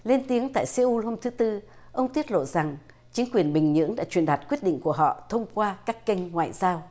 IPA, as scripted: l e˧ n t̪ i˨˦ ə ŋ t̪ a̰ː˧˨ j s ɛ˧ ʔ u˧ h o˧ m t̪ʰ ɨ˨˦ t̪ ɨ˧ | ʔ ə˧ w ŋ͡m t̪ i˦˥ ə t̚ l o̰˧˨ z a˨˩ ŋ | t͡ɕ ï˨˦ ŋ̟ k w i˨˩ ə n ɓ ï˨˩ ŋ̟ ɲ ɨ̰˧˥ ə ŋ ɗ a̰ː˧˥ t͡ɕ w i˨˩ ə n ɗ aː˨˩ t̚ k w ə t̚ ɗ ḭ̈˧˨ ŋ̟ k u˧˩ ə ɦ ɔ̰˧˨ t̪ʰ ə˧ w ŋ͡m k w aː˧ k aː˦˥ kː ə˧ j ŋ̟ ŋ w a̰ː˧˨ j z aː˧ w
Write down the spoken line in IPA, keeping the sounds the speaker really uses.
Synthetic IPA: l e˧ n t̪ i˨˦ ə ŋ t̪ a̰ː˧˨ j s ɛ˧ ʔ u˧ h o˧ m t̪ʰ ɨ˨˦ t̪ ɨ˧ | ʔ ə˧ w ŋ͡m t̪ i˦˥ ə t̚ l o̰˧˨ z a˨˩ ŋ | t͡ɕ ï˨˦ ŋ̟ k w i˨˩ ə n ɓ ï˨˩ ŋ̟ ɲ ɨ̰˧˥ ə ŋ ɗ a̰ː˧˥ t͡ɕ w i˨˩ ə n ɗ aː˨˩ t̚ k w ə t̚ ɗ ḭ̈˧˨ ŋ̟ k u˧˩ ə ɦ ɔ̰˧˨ t̪ʰ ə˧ w ŋ͡m k w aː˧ k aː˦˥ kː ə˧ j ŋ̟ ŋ w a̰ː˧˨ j z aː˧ w